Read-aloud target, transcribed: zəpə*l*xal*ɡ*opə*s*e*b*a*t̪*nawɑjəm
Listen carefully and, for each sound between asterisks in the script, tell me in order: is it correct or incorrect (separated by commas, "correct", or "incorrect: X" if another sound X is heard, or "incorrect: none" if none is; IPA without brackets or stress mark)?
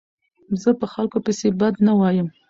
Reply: incorrect: none, incorrect: k, correct, correct, incorrect: d̪